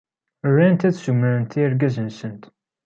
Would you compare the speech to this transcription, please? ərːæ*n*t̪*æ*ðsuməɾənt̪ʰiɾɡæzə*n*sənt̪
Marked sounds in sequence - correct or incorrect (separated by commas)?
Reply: correct, correct, correct